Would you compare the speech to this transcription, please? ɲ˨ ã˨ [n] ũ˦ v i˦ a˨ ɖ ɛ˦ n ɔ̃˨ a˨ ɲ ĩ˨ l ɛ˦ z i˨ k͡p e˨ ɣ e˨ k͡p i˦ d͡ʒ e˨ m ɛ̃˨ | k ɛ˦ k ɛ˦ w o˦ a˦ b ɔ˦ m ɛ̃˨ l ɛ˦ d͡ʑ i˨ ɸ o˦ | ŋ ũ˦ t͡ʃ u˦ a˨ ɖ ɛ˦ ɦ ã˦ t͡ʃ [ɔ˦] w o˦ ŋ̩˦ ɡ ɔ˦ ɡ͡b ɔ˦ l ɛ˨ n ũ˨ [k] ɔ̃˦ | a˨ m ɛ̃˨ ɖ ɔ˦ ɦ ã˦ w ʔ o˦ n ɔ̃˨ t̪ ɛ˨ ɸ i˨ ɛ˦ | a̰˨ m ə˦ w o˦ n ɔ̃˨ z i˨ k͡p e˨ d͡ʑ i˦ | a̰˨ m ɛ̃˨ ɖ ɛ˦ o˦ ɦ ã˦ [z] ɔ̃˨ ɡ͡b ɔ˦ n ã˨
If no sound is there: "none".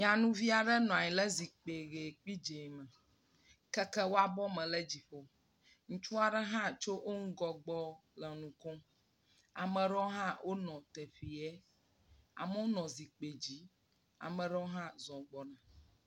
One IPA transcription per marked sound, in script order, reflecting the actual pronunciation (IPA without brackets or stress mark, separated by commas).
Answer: n, o˦, k, z